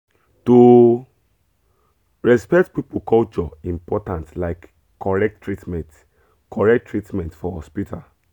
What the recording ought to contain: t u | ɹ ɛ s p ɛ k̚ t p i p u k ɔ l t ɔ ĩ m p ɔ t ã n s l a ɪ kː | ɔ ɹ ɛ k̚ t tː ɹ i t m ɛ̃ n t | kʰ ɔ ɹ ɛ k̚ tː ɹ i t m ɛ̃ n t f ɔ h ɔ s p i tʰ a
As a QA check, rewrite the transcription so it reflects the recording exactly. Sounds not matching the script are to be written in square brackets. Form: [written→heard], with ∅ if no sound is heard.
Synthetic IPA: t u | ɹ ɛ s p ɛ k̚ t p i p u k ɔ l [t→t͡ʃ] ɔ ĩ m p ɔ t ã n [s→t] l a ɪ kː | ɔ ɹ ɛ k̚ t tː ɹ i t m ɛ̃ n t | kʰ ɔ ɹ ɛ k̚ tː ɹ i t m ɛ̃ n t f ɔ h ɔ s p i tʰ a